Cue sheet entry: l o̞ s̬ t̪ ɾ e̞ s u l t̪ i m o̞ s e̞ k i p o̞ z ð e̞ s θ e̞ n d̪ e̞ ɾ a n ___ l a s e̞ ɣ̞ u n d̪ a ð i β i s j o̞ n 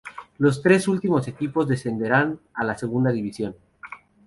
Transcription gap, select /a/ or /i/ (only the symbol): a